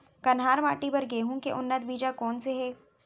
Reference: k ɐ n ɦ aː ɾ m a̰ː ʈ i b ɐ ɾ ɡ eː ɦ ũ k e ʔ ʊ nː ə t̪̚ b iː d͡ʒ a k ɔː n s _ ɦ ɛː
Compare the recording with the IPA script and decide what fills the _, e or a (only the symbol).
e